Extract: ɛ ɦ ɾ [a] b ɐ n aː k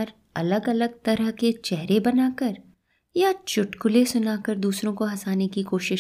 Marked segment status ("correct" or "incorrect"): incorrect